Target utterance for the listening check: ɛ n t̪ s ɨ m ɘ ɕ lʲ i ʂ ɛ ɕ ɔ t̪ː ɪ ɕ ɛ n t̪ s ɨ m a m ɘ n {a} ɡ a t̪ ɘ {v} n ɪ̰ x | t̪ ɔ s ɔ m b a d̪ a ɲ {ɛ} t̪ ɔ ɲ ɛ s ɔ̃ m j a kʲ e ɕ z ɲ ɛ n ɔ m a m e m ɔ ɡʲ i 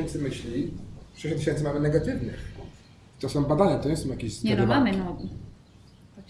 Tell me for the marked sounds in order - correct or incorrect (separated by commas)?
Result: incorrect, correct, incorrect